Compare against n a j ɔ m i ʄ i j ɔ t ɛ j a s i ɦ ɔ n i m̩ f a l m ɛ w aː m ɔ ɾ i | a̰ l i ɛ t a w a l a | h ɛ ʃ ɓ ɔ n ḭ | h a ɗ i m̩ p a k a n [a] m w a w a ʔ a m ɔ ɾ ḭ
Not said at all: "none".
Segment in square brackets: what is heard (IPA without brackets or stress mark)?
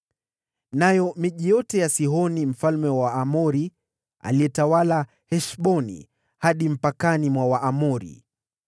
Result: i